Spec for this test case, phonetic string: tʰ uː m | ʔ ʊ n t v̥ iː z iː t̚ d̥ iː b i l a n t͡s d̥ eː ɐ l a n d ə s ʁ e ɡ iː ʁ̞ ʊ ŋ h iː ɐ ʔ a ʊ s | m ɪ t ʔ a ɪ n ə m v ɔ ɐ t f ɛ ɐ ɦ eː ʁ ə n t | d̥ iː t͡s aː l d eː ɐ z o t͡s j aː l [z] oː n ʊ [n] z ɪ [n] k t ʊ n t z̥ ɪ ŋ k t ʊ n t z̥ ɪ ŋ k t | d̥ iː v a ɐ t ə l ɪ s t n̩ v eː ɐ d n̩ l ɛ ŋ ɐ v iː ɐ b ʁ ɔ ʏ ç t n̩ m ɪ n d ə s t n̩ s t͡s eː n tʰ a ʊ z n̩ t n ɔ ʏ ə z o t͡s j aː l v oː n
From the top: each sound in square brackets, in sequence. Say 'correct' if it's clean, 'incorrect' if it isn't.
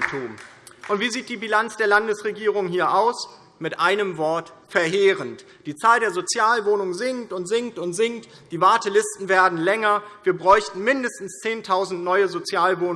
incorrect: v, incorrect: ŋ, incorrect: ŋ

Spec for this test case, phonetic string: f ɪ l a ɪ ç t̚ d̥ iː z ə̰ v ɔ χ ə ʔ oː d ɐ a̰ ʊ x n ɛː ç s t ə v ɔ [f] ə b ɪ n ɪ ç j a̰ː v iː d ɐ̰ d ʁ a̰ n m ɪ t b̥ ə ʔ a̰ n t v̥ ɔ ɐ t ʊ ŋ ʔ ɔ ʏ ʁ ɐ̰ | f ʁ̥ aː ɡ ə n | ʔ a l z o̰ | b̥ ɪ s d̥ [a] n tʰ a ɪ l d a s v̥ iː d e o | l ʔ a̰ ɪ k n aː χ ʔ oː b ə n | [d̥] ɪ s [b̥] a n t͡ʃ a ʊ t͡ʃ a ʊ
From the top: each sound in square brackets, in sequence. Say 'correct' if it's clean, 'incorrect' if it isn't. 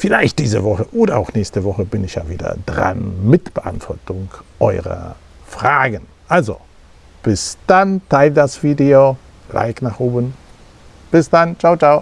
incorrect: χ, correct, incorrect: b̥, incorrect: d̥

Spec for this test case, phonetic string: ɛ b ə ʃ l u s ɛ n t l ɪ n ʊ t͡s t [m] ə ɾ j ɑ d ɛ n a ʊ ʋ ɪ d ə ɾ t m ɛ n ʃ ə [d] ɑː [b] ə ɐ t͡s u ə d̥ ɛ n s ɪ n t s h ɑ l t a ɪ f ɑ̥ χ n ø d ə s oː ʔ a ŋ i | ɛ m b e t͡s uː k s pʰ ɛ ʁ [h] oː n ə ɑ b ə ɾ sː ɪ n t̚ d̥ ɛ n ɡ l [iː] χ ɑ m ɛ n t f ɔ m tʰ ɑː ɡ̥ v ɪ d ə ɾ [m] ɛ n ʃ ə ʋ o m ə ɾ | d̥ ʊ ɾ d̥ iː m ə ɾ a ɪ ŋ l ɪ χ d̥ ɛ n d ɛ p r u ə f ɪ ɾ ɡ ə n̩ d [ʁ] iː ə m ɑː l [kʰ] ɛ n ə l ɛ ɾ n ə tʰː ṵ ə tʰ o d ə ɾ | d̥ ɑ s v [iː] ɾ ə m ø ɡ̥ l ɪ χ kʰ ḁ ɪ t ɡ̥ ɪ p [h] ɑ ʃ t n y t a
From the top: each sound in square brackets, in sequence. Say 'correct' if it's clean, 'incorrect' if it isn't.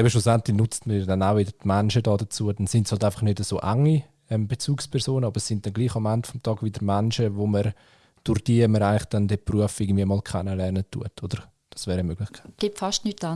correct, correct, incorrect: d, incorrect: s, correct, correct, incorrect: v, correct, incorrect: ɛː, incorrect: f

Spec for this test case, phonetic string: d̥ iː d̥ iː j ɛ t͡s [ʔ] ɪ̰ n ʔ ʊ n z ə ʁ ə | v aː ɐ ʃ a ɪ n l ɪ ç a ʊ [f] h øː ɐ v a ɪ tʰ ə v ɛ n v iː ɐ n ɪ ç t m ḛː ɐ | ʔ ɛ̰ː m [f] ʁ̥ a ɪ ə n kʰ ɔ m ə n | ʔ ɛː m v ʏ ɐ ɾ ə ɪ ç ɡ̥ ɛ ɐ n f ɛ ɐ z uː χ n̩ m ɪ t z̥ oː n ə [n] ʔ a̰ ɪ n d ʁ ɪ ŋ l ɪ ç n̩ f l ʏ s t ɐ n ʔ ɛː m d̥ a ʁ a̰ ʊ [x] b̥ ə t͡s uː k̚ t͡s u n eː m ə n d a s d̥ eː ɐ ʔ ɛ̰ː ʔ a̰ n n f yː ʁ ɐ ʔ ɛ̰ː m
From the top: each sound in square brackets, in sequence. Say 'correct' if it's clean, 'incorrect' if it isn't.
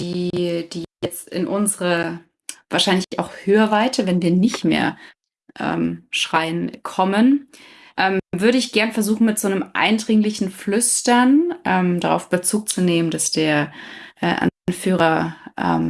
incorrect: t, incorrect: x, incorrect: ʃ, incorrect: m, incorrect: f

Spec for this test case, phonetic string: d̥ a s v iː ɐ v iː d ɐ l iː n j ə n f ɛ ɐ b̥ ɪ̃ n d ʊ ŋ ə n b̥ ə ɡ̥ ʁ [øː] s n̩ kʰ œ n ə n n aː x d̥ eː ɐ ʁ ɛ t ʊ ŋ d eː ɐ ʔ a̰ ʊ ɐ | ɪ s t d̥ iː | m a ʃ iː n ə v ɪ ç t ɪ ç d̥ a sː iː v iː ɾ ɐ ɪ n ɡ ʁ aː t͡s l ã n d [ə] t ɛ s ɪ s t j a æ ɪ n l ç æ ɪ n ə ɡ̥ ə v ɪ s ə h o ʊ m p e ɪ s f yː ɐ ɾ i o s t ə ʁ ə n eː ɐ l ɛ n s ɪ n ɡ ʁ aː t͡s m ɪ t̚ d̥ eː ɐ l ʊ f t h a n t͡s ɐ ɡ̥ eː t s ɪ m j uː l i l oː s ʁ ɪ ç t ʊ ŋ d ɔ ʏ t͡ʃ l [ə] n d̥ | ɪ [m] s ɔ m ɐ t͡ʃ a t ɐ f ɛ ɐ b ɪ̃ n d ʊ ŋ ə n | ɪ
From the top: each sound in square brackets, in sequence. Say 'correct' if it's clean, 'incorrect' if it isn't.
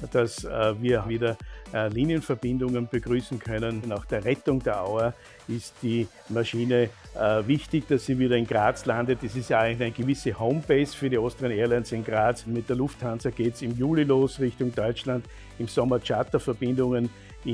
incorrect: yː, correct, incorrect: a, correct

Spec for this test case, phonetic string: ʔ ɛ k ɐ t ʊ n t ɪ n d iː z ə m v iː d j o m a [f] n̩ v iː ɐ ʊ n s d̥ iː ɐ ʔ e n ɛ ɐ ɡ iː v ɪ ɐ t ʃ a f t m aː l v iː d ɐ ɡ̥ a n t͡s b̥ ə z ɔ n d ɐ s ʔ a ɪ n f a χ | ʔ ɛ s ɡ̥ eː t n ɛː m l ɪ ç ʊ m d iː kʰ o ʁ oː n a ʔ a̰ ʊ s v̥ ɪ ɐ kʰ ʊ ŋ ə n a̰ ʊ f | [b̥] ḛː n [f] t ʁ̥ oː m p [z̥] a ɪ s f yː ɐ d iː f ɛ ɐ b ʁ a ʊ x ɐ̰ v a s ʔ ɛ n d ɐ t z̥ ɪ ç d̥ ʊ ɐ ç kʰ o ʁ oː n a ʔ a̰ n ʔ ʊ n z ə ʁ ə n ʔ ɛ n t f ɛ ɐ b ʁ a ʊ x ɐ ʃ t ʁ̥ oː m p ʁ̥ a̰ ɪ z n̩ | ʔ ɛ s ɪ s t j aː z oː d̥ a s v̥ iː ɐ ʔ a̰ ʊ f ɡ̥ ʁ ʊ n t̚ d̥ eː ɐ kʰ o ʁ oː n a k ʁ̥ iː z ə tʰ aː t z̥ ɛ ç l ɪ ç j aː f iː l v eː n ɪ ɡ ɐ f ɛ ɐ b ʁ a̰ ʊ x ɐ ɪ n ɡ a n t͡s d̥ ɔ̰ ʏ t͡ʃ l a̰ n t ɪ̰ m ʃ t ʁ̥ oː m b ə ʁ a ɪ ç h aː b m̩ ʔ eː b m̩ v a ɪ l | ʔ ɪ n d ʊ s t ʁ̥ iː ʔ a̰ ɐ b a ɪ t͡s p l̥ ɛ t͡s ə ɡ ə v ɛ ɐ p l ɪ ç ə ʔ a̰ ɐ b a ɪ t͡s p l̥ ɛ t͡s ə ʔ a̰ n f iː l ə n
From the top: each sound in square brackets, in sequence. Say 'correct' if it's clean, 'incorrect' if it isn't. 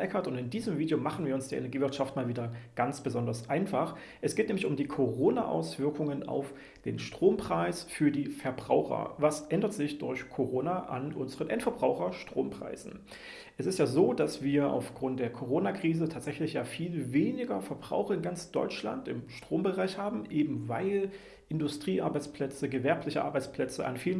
incorrect: χ, incorrect: d̥, incorrect: ʃ, incorrect: ʁ̥

